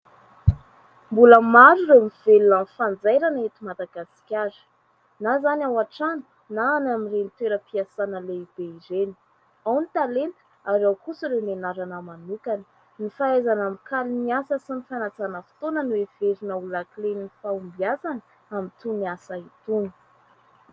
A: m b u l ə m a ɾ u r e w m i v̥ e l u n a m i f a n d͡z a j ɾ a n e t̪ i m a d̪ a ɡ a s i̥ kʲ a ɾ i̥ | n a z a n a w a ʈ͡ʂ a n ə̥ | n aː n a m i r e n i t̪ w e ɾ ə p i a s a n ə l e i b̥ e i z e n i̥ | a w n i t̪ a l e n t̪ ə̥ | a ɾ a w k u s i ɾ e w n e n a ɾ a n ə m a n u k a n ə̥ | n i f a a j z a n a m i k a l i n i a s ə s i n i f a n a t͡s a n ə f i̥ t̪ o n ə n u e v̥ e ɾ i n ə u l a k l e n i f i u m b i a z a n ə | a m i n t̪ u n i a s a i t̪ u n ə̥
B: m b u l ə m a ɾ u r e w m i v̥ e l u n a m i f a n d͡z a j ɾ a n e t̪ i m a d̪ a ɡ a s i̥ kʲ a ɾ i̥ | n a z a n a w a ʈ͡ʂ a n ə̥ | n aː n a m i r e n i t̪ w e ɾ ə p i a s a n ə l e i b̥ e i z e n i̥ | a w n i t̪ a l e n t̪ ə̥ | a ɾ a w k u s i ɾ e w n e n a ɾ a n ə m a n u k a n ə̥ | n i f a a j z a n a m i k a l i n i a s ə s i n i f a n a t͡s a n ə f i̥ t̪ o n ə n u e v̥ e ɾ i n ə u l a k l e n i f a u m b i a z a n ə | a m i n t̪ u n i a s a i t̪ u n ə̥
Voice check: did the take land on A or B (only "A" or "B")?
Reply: B